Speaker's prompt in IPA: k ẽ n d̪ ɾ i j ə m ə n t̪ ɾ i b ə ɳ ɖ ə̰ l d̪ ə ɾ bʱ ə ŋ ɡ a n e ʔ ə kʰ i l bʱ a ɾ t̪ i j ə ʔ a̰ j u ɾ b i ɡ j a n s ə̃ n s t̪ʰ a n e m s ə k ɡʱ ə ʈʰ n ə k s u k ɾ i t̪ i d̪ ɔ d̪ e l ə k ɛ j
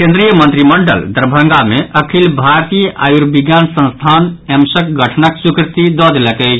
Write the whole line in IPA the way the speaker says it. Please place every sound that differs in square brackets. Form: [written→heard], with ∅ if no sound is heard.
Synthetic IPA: k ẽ n d̪ ɾ i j ə m ə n t̪ ɾ i [b→m] ə ɳ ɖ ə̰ l d̪ ə ɾ bʱ ə ŋ ɡ a [n→m] e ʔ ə kʰ i l bʱ a ɾ t̪ i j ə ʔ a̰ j u ɾ b i ɡ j a n s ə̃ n s t̪ʰ a n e m s ə k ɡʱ ə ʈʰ n ə k s u k ɾ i t̪ i d̪ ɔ d̪ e l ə k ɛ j